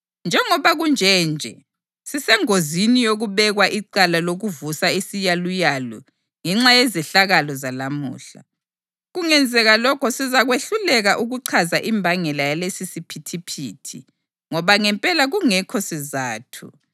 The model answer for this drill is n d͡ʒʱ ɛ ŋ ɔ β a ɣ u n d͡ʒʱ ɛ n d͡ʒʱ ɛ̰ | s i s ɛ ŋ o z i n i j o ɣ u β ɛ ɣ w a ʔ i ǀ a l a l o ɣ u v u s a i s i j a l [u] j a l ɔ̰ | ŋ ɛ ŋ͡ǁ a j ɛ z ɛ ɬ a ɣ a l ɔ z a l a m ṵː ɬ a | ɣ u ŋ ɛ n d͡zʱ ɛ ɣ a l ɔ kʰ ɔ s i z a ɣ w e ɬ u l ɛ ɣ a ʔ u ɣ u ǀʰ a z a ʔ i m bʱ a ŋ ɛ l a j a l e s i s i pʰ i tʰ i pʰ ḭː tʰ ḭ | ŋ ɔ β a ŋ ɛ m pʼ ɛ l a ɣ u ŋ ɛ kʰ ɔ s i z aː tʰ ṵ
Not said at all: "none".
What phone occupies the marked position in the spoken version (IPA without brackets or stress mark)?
u